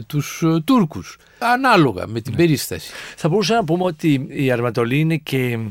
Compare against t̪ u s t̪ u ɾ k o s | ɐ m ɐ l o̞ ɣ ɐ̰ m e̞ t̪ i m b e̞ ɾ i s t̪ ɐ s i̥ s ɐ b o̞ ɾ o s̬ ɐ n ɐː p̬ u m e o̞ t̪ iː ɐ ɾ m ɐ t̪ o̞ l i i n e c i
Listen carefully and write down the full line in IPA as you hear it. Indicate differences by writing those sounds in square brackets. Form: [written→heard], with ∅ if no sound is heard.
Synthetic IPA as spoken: t̪ u s t̪ u ɾ k [o→u] s | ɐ [m→n] ɐ l o̞ ɣ ɐ̰ m e̞ t̪ i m b e̞ ɾ i s t̪ ɐ s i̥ [s→θ] ɐ b o̞ ɾ [o→u] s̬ ɐ n [ɐː→ɐ] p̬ u m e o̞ t̪ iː ɐ ɾ m ɐ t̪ o̞ l i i n e c [i→e]